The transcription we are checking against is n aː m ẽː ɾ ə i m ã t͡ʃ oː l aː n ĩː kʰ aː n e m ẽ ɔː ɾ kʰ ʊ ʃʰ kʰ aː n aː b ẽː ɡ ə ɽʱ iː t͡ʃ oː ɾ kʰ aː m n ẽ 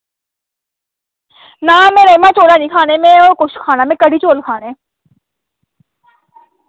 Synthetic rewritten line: n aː m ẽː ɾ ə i m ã t͡ʃ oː l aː n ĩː kʰ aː n e m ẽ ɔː ɾ k ʊ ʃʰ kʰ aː n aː m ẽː k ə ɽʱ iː t͡ʃ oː l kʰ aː n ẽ